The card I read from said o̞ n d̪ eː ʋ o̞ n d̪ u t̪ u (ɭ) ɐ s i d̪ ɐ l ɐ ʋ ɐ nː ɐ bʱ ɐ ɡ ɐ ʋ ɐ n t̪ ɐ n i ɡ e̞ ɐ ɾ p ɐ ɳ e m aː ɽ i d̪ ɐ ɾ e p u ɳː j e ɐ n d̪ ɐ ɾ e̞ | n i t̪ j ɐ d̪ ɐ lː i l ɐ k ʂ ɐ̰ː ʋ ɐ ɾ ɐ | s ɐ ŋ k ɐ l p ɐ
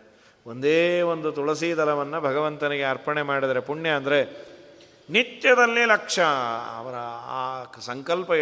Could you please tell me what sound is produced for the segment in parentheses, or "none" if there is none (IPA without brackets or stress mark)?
ɭ